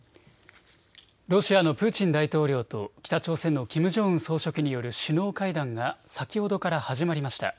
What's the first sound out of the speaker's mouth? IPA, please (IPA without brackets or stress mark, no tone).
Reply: ɾ